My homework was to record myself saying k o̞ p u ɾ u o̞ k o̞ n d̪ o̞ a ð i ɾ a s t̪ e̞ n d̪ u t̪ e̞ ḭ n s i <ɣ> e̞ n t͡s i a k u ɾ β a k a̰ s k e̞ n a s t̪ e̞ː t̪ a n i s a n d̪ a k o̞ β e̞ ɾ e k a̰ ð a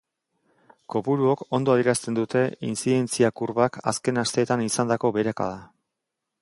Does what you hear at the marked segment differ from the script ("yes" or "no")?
yes